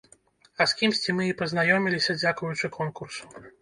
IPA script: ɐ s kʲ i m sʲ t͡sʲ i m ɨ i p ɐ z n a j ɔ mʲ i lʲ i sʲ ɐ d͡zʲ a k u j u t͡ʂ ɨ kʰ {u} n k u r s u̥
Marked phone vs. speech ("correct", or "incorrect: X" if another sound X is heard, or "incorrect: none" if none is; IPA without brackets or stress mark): incorrect: ɔ